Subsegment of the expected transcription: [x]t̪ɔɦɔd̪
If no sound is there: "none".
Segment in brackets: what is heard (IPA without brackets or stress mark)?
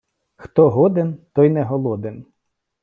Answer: x